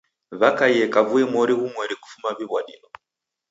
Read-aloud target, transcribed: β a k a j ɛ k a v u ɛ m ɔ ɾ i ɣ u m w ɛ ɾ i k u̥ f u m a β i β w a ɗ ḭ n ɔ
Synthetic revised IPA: β a k a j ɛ k a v u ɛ m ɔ ɾ i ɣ u m w ɛ ɾ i k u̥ f u m a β i β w a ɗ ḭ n ɔ